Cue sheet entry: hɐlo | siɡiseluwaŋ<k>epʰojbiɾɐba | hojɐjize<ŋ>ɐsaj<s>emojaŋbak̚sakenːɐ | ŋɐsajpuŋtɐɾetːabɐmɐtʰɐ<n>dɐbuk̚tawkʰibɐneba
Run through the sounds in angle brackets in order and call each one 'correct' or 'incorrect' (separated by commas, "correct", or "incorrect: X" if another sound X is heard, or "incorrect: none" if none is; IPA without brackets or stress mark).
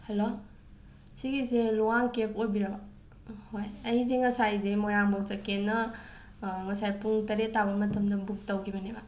correct, correct, incorrect: z, incorrect: m